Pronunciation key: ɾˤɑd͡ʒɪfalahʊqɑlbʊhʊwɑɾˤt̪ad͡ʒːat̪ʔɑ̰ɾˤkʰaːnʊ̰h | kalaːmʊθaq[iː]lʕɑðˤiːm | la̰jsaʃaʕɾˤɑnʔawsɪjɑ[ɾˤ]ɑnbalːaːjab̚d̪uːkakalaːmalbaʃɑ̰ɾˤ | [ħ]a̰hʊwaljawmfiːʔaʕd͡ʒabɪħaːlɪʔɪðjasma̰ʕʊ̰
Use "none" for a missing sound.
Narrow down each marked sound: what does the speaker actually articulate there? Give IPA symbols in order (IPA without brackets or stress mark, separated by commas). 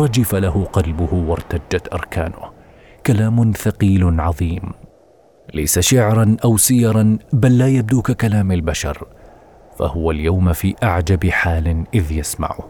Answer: iː, ɾˤ, f